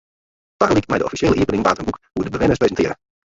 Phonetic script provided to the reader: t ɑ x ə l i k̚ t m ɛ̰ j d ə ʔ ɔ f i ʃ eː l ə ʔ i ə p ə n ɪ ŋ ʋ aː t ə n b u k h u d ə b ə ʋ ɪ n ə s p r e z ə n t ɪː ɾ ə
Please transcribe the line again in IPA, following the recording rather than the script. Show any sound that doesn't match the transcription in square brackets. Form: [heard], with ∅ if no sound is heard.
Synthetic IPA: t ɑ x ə l i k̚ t m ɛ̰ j d ə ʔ ɔ f i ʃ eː l ə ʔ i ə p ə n ɪ ŋ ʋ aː t ə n b u k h u d ə b ə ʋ ɪ n ə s p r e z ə n t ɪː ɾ ə